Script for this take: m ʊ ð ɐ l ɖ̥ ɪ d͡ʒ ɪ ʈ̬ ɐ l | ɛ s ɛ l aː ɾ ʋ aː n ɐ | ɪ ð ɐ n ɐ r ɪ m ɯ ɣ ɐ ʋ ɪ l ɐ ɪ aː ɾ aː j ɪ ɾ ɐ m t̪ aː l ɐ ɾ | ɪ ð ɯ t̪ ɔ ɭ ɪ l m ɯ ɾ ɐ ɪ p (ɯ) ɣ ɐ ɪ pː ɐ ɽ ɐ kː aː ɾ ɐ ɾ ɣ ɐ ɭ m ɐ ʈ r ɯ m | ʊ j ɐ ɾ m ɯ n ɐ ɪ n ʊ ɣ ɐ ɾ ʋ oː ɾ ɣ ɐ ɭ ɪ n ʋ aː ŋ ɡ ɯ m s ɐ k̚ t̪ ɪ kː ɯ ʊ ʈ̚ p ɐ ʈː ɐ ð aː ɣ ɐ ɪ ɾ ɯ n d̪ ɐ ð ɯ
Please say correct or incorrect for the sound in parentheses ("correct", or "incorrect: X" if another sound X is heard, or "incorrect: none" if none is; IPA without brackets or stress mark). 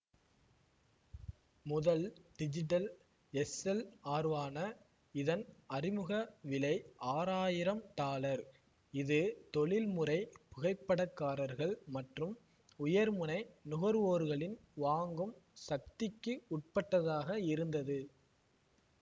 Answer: incorrect: ʊ